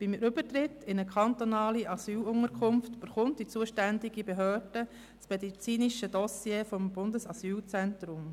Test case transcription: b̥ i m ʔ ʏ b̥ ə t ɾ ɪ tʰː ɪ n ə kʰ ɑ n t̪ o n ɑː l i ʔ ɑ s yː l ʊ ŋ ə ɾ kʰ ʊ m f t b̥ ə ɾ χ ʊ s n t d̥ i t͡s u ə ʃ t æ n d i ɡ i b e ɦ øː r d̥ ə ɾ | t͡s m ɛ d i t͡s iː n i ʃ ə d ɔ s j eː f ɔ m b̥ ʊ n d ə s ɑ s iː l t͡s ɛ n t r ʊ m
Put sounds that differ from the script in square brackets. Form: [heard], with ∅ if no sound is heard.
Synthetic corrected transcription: b̥ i m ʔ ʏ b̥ ə t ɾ ɪ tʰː ɪ n ə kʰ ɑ n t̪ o n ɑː l i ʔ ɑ s yː l ʊ ŋ ə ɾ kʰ ʊ m f t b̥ ə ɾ χ ʊ [∅] n t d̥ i t͡s u ə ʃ t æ n d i ɡ i b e ɦ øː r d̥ ə [∅] | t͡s m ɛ d i t͡s iː n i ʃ ə d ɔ s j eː f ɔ m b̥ ʊ n d ə s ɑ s [yː] l t͡s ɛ n t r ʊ m

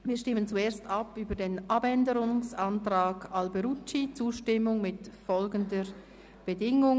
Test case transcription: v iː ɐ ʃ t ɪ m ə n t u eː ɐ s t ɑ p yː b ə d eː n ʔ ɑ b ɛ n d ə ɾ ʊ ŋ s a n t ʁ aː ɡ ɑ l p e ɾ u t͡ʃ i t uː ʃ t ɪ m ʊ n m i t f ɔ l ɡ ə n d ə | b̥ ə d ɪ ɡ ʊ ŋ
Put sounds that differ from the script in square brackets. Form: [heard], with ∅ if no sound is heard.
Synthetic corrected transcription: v iː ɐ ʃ t ɪ m ə n [t͡s] u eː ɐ s t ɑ p yː b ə d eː n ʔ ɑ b ɛ n d ə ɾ ʊ ŋ s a n t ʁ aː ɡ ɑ l [b] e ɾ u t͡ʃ i [t͡s] uː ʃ t ɪ m ʊ [ŋ] m [ɪ] t f ɔ l ɡ ə n d ə | b̥ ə d ɪ [ŋ] ʊ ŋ

